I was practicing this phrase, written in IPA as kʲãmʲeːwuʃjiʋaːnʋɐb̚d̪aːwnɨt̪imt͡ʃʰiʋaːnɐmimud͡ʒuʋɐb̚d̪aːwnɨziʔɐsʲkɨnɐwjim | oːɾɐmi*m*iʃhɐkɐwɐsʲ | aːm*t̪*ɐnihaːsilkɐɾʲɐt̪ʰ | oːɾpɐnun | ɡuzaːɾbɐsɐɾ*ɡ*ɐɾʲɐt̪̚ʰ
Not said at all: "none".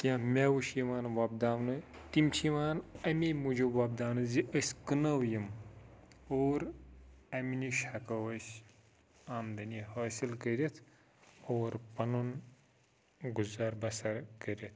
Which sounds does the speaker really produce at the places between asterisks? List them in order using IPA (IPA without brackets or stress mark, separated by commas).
n, d̪, k